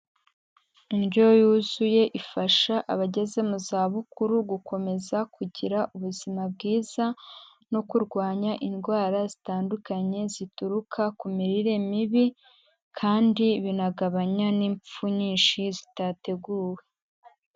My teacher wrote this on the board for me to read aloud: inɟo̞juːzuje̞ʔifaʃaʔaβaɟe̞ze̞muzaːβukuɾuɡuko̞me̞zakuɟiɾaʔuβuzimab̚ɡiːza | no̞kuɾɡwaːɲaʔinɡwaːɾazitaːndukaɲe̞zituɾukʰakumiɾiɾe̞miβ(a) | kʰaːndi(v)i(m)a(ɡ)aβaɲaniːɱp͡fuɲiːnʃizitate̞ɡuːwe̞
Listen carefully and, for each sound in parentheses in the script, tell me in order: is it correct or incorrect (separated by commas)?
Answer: incorrect, incorrect, incorrect, correct